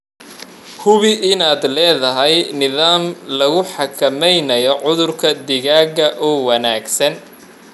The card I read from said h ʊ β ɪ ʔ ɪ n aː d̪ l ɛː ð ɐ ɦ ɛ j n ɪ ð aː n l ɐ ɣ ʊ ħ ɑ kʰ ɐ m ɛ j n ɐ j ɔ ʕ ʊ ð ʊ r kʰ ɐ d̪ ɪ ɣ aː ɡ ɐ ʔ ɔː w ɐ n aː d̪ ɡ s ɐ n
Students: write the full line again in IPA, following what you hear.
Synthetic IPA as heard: h ʊ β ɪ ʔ ɪ n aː d̪ l ɛː ð ɐ ɦ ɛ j n ɪ ð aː m l ɐ ɣ ʊ ħ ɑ kʰ ɐ m ɛ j n ɐ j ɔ ʕ ʊ ð ʊ r kʰ ɐ d̪ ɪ ɣ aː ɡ ɐ ʔ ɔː w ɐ n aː ɡ s ɐ n